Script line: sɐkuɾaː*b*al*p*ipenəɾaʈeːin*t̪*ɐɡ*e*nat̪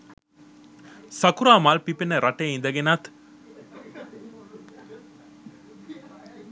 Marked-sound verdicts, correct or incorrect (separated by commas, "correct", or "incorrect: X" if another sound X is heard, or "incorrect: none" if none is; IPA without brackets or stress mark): incorrect: m, correct, incorrect: d̪, correct